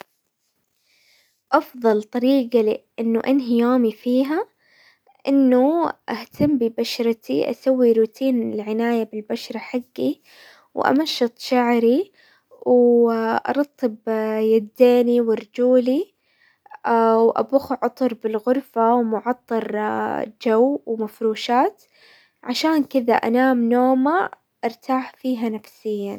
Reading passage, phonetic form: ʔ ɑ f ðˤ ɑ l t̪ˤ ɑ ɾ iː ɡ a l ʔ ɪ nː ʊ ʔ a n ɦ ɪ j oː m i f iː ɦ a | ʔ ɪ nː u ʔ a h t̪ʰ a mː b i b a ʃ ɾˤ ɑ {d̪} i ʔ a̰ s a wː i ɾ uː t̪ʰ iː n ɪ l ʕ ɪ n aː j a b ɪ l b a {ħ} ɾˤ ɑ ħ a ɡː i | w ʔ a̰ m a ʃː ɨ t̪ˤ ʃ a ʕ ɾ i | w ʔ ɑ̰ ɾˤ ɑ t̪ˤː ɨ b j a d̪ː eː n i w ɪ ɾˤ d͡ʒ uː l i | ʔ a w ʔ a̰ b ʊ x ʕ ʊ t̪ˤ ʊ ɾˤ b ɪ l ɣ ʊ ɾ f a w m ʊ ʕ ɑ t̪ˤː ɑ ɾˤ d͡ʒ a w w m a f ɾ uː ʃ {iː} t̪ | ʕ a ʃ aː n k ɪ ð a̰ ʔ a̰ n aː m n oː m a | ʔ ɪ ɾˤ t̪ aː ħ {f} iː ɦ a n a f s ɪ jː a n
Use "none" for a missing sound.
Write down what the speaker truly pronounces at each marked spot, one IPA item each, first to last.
t̪, ʃ, aː, f

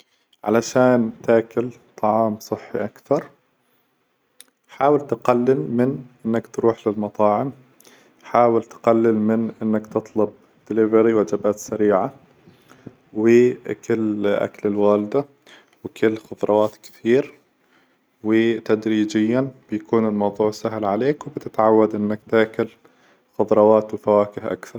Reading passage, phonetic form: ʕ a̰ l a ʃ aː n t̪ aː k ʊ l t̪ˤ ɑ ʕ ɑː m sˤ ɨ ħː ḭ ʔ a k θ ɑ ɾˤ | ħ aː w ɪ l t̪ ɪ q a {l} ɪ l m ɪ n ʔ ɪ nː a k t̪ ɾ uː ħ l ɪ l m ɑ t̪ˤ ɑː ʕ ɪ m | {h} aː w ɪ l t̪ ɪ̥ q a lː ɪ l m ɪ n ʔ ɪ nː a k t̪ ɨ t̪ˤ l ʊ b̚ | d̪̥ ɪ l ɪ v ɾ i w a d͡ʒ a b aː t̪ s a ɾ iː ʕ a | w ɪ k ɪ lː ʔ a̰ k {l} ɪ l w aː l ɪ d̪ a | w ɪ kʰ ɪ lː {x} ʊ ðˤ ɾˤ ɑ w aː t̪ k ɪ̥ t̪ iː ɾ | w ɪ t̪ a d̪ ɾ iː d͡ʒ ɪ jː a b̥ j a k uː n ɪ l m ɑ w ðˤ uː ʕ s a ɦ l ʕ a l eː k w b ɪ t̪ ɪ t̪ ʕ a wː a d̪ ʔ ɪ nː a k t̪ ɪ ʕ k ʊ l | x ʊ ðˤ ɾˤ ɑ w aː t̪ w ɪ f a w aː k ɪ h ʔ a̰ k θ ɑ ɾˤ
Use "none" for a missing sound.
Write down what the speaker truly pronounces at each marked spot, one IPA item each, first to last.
lː, ħ, l, x

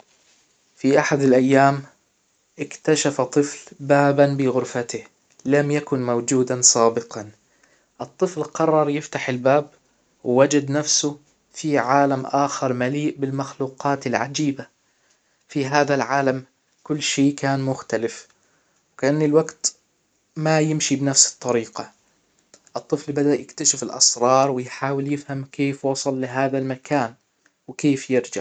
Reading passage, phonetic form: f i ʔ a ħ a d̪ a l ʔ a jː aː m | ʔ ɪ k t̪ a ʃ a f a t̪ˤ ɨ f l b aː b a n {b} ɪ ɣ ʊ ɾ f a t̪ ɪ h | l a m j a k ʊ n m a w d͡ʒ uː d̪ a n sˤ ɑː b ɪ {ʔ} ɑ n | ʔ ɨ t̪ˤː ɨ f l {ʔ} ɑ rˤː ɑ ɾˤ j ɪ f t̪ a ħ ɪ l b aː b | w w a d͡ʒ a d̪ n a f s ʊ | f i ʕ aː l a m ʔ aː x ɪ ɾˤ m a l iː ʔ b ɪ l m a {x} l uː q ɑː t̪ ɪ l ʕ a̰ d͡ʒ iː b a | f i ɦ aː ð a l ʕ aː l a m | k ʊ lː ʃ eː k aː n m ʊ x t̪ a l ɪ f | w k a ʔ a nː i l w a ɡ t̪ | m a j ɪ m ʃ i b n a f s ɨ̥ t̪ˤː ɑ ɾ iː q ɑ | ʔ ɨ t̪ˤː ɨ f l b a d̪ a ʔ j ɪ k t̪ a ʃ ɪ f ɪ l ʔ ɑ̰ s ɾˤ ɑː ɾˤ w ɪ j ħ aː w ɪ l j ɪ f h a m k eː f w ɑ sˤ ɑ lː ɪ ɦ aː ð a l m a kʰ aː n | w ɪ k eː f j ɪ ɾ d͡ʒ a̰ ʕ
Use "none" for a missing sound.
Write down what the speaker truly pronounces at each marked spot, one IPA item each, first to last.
b, q, q, x

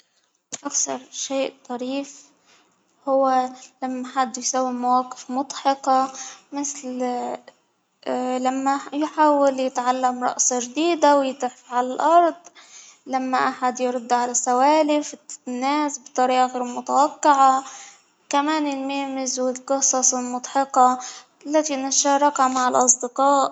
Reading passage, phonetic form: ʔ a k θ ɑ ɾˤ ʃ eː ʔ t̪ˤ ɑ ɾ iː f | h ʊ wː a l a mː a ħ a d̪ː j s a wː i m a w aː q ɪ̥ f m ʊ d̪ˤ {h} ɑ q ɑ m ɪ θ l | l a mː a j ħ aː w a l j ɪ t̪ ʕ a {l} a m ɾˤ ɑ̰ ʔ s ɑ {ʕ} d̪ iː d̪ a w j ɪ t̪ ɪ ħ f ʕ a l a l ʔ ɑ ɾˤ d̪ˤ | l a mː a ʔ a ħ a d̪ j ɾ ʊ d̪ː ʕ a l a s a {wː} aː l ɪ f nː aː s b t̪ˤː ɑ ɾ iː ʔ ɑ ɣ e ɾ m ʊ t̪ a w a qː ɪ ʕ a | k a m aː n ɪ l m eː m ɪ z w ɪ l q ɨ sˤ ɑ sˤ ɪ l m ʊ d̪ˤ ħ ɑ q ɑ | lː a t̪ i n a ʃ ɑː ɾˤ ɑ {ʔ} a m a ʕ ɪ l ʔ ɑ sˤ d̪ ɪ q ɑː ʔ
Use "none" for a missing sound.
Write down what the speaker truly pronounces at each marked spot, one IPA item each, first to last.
ħ, lː, ʒ, w, k

